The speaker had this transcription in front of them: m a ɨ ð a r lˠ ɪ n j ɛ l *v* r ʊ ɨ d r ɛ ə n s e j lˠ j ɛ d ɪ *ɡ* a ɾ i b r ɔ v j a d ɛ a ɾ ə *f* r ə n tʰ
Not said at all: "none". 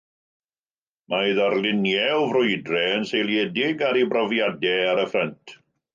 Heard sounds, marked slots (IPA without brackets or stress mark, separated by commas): v, ɡ, f